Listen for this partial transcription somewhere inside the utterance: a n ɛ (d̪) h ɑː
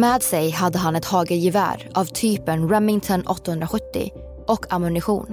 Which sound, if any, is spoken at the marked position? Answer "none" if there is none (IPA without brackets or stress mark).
t̪